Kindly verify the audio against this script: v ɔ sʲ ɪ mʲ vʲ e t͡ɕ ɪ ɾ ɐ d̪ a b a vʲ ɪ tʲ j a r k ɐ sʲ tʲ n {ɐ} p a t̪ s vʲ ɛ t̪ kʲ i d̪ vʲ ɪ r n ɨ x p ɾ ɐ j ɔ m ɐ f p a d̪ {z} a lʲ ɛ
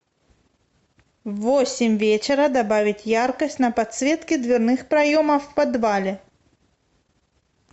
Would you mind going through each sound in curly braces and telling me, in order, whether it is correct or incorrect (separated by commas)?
correct, incorrect